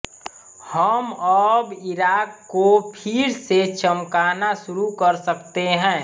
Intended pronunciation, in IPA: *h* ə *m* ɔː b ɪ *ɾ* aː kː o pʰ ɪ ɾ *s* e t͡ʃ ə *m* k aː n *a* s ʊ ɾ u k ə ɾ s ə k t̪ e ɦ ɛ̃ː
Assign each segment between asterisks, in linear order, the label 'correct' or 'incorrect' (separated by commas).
correct, correct, correct, correct, correct, correct